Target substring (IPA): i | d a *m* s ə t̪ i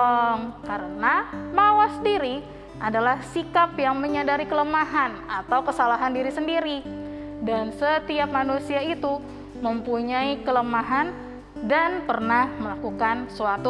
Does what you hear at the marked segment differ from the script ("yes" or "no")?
yes